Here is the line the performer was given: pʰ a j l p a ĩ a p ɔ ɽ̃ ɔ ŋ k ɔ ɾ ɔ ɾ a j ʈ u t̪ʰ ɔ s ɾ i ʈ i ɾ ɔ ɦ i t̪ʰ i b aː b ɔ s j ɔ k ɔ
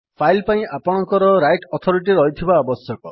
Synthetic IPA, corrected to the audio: pʰ a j l p a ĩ a p ɔ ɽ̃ ɔ ŋ k ɔ ɾ ɔ ɾ a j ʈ ɔ t̪ʰ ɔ ɾ i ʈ i ɾ ɔ ɦ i t̪ʰ i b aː b ɔ s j ɔ k ɔ